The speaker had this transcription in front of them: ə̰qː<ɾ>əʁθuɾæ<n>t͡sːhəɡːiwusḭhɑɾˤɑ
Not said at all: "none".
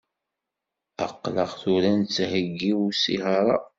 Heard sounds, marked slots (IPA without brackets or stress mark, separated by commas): l, n